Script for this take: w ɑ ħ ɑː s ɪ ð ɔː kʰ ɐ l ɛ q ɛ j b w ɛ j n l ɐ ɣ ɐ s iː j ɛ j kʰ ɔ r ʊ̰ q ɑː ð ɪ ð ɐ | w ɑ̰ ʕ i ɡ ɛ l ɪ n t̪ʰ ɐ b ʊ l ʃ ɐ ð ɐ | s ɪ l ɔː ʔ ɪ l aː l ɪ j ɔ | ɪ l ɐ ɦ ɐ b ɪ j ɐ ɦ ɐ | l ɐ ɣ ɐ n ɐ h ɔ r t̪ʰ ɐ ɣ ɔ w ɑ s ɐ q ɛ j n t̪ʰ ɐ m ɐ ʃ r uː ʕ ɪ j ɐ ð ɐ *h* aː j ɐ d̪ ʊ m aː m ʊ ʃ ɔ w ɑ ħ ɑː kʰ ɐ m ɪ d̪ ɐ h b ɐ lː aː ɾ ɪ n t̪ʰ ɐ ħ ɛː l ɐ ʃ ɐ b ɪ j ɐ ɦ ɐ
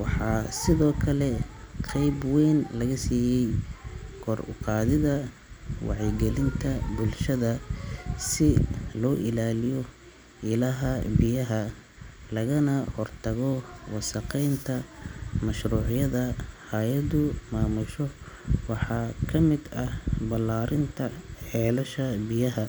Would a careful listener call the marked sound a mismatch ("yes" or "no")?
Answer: no